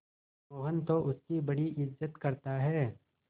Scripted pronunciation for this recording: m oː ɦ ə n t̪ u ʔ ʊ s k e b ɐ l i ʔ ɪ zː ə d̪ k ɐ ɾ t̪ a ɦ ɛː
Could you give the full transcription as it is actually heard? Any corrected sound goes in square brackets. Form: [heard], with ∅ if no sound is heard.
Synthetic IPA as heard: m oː ɦ ə n t̪ [o] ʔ ʊ s k [i] b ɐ [ɽ] i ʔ ɪ zː ə [t̪] k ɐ ɾ t̪ a ɦ ɛː